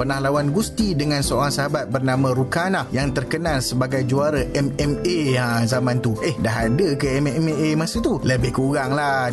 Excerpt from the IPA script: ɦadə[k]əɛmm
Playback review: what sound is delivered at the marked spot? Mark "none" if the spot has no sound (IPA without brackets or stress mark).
k